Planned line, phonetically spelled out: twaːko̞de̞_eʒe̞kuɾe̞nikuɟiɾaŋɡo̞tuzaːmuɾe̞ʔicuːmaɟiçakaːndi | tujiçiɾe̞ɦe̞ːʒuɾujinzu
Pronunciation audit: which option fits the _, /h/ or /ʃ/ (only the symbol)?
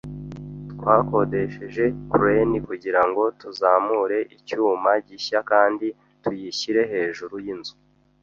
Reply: ʃ